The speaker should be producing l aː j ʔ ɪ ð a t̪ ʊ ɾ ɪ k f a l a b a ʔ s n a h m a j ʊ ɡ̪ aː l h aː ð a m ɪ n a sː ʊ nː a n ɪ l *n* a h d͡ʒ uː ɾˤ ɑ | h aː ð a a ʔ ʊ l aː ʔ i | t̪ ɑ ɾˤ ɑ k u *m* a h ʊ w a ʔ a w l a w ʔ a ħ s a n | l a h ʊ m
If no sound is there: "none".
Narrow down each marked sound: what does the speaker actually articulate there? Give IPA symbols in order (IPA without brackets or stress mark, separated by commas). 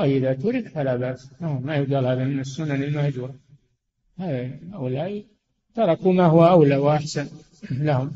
m, m